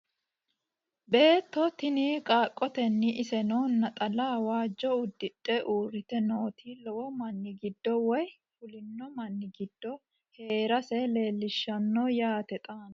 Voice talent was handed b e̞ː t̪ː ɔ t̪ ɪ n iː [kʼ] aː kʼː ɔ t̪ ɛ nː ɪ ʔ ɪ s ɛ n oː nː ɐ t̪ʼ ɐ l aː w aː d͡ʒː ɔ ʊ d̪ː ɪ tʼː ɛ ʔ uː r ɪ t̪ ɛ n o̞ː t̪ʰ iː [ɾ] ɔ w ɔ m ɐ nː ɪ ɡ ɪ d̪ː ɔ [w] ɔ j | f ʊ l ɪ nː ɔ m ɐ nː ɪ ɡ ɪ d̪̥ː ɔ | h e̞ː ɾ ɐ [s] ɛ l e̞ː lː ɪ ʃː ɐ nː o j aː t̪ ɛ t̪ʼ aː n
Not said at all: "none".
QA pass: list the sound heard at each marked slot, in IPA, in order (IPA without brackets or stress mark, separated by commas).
kʼ, l, w, s